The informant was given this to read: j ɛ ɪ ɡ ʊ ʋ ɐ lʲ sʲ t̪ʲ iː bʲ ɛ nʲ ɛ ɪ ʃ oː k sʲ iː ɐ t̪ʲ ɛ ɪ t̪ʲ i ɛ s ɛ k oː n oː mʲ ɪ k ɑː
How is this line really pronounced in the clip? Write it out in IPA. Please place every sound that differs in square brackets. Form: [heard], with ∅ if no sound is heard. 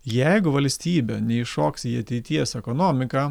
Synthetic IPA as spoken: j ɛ ɪ ɡ ʊ ʋ ɐ lʲ sʲ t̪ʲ iː bʲ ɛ nʲ ɛ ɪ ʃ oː k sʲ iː ɐ t̪ʲ ɛ ɪ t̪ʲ i ɛ s ɛ k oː n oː mʲ ɪ k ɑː

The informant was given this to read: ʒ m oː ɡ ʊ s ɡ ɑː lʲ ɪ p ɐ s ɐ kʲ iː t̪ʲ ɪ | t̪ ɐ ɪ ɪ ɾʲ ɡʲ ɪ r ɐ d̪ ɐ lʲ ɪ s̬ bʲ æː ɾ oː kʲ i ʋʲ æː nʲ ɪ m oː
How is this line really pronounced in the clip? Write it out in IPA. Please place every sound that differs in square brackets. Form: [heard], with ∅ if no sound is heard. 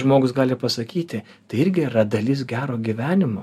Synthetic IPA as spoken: ʒ m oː ɡ ʊ s ɡ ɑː lʲ ɪ p ɐ s ɐ kʲ iː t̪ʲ ɪ | t̪ ɐ ɪ ɪ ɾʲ ɡʲ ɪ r ɐ d̪ ɐ lʲ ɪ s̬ [ɡʲ] æː ɾ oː [ɡʲ] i ʋʲ æː nʲ ɪ m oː

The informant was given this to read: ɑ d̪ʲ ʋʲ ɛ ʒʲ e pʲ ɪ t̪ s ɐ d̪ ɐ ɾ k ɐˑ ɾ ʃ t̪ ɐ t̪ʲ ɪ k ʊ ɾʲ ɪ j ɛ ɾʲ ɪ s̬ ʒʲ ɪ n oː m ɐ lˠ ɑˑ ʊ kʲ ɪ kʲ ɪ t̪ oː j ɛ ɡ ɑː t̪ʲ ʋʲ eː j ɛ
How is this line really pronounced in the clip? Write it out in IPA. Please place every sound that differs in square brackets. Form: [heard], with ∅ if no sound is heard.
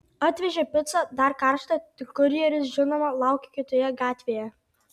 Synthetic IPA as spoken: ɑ [t̪ʲ] ʋʲ ɛ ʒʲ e pʲ ɪ t̪ s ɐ d̪ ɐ ɾ k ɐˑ ɾ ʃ t̪ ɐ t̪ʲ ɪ k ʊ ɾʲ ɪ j ɛ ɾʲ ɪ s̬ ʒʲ ɪ n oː m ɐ lˠ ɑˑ ʊ kʲ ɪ kʲ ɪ t̪ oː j ɛ ɡ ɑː t̪ʲ ʋʲ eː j ɛ

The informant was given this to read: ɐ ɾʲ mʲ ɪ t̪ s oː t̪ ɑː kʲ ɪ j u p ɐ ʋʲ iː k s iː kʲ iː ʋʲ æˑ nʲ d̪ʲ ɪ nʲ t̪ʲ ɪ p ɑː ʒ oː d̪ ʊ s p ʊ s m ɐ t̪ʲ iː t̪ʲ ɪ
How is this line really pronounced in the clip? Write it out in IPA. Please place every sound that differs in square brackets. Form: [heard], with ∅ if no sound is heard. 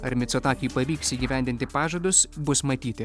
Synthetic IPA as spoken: ɐ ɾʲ mʲ ɪ t̪ s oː t̪ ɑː kʲ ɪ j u p ɐ ʋʲ iː k s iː [ɡʲ] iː ʋʲ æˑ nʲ d̪ʲ ɪ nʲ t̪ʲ ɪ p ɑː ʒ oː d̪ ʊ s [b] ʊ s m ɐ t̪ʲ iː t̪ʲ ɪ

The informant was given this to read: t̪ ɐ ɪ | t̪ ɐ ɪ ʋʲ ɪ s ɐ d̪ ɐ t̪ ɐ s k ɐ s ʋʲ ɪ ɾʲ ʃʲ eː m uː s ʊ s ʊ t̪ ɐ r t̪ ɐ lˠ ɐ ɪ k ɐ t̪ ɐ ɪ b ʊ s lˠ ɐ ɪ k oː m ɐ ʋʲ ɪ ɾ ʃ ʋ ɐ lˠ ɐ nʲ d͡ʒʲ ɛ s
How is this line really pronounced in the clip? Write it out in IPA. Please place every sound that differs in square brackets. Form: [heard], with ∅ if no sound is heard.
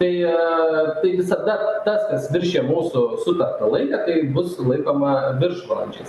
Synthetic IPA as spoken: t̪ ɐ ɪ | t̪ ɐ ɪ ʋʲ ɪ s ɐ d̪ ɐ t̪ ɐ s k ɐ s ʋʲ ɪ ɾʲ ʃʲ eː m uː s ʊ s ʊ t̪ ɐ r t̪ ɐ lˠ ɐ ɪ k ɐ t̪ ɐ ɪ b ʊ s lˠ ɐ ɪ k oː m ɐ ʋʲ ɪ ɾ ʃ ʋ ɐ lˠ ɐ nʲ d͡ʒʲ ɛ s

